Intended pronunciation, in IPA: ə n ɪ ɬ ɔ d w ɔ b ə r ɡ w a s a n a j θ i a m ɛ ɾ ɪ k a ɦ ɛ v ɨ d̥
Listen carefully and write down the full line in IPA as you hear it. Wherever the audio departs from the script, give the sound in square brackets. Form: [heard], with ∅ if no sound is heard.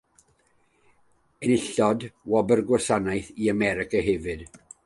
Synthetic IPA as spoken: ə n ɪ ɬ ɔ d w ɔ b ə r ɡ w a s a n a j θ i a m ɛ ɾ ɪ k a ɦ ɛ v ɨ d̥